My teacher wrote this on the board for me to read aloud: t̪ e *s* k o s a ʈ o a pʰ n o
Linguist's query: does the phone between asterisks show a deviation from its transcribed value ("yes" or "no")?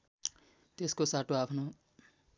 no